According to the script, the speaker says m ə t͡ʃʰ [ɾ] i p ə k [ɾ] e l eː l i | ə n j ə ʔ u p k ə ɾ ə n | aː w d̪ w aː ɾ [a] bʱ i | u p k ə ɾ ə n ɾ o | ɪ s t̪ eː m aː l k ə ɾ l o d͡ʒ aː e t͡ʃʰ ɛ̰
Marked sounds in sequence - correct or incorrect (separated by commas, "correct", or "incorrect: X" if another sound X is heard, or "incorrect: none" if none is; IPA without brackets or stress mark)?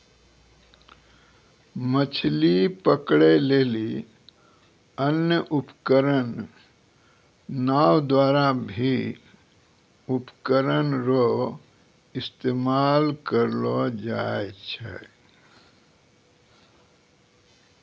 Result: incorrect: l, incorrect: ɽ, correct